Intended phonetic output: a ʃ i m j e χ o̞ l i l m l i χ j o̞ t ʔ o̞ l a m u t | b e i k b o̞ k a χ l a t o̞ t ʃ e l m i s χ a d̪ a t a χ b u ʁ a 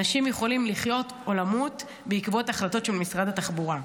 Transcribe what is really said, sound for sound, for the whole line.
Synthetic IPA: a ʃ i m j e χ o̞ l i m l i χ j o̞ t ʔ o̞ l a m u t | b e i k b o̞ t a χ l a t o̞ t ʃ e l m i s ʁ a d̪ a t a χ b u ʁ a